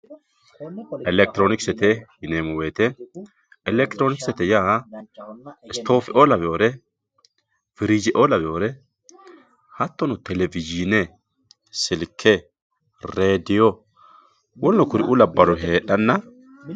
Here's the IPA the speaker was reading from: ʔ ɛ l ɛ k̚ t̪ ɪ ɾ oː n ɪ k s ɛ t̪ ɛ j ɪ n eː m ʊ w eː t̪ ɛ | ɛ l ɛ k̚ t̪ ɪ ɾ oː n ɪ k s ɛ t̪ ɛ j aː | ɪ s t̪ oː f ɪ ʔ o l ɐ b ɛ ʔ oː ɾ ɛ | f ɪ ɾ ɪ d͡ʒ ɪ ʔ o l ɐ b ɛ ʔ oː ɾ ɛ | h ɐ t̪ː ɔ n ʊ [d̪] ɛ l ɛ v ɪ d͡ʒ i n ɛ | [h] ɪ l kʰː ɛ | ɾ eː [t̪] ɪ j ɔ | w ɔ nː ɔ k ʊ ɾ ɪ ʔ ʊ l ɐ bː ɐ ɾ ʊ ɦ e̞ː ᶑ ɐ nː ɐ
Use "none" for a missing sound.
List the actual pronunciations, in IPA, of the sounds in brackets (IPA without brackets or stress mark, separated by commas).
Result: t̪, s, d̪